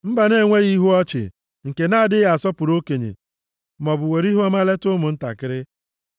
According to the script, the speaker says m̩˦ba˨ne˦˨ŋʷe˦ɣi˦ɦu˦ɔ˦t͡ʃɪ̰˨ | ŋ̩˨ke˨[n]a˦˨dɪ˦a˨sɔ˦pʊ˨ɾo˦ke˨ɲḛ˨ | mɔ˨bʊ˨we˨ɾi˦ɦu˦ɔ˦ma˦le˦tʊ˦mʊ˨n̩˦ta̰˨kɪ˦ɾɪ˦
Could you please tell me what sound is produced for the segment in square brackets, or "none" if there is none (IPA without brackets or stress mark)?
n